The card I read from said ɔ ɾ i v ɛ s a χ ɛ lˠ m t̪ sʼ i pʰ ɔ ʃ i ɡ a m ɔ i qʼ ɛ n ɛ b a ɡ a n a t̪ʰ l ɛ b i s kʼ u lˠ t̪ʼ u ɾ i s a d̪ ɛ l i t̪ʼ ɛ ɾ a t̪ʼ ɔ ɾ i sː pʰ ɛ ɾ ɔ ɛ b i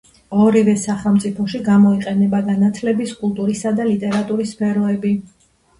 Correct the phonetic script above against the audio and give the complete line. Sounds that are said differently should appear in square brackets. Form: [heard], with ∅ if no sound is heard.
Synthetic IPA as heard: ɔ ɾ i v ɛ s a χ ɛ lˠ m t̪ sʼ i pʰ ɔ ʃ i ɡ a m ɔ i qʼ ɛ n ɛ b a ɡ a n a t̪ʰ l ɛ b i s kʼ u lˠ t̪ʼ u ɾ i s a d̪ [a] l i t̪ʼ ɛ ɾ a t̪ʼ [u] ɾ i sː pʰ ɛ ɾ ɔ ɛ b i